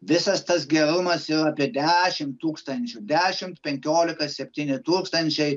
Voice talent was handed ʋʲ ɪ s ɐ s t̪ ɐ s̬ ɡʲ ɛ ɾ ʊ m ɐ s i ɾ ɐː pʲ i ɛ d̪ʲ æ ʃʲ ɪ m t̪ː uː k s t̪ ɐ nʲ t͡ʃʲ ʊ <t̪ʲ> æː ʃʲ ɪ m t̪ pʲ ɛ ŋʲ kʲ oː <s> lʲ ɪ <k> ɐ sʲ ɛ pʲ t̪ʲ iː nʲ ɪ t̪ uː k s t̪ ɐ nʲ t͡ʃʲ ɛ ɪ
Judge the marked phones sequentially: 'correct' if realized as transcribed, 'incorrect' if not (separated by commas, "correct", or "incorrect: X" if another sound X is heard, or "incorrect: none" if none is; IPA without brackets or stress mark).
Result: incorrect: d̪ʲ, incorrect: none, correct